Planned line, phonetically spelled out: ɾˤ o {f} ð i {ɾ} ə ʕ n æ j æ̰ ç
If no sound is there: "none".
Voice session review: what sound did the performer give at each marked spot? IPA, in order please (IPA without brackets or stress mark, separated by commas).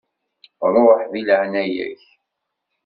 ħ, l